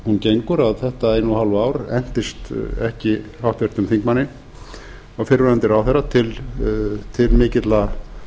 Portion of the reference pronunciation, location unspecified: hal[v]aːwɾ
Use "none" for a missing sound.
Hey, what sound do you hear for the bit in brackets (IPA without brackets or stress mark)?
v